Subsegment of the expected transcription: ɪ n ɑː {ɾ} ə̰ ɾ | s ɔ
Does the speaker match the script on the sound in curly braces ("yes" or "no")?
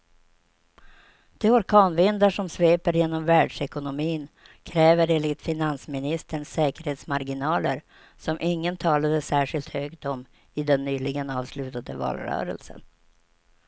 no